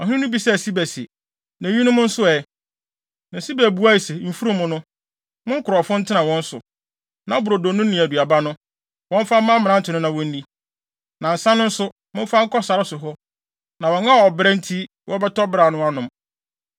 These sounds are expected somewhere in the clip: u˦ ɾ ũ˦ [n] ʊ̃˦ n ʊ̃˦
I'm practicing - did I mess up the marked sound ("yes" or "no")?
yes